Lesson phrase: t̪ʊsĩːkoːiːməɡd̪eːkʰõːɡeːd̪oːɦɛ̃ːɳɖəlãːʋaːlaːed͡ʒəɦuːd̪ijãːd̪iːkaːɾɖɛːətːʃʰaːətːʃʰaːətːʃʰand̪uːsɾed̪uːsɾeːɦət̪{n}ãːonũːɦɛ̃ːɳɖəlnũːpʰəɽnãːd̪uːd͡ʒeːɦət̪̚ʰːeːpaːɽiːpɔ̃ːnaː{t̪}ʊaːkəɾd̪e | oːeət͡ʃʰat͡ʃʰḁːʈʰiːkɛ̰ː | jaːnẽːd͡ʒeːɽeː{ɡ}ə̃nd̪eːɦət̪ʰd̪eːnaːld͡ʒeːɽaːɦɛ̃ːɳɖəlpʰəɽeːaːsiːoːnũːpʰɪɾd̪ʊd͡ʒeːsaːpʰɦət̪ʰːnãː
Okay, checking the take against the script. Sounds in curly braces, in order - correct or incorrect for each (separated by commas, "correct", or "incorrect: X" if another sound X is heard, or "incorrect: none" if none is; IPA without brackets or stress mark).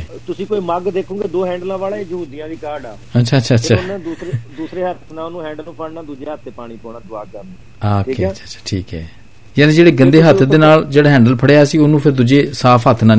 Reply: correct, incorrect: d̪, correct